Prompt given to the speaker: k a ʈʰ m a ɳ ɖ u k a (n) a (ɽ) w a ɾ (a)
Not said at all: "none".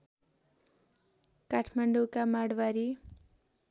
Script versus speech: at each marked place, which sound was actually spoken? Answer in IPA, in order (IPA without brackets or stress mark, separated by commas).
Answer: m, ɽ, i